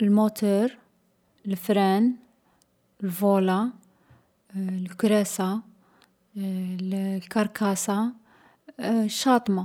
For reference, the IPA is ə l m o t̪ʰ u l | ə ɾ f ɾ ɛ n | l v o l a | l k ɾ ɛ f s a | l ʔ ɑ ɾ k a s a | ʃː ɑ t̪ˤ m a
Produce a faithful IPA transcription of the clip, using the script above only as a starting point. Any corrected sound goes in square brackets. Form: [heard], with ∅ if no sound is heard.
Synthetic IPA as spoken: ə l m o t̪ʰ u [ɾ] | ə [l] f ɾ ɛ n | l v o l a | l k ɾ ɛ [∅] s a | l [k] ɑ ɾ k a s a | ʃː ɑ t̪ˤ m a